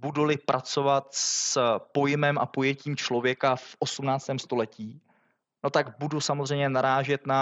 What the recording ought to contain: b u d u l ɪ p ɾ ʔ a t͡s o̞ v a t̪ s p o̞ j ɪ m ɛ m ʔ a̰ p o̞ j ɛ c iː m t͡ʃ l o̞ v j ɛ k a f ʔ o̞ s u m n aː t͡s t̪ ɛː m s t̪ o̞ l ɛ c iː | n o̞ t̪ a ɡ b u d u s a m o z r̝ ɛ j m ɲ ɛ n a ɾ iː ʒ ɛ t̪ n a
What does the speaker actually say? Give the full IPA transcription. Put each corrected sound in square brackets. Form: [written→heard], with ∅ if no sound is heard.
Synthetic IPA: b u d u l ɪ p ɾ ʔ a t͡s o̞ v a t̪ s p o̞ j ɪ m ɛ m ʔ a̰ p o̞ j ɛ c iː m t͡ʃ l o̞ v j ɛ k a f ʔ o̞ s u m n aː t͡s t̪ ɛː m s t̪ o̞ l ɛ c iː | n o̞ t̪ a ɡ b u d u s a m o z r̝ ɛ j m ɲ ɛ n a ɾ [iː→aː] ʒ ɛ t̪ n a